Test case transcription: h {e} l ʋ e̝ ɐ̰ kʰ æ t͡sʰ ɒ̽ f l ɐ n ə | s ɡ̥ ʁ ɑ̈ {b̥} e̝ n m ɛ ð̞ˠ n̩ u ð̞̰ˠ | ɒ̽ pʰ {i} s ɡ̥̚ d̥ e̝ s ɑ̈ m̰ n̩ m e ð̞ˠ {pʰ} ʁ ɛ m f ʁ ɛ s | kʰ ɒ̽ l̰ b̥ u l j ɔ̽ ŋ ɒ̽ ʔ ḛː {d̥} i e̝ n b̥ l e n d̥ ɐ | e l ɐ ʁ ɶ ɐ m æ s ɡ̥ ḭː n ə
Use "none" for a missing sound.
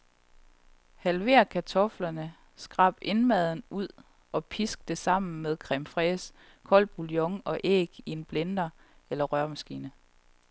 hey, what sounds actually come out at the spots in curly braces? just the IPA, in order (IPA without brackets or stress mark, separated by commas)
æ, b̥, i, kʰ, ɡ̥